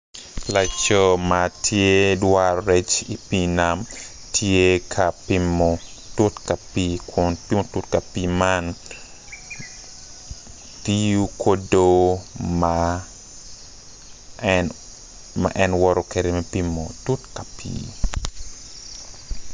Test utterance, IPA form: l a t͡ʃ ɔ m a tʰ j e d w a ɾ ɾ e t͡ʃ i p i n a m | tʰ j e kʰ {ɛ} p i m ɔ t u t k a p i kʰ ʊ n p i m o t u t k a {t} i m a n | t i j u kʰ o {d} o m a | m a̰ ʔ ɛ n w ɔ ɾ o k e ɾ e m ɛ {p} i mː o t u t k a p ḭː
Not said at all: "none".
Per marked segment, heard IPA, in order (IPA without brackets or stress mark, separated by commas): a, p, d, p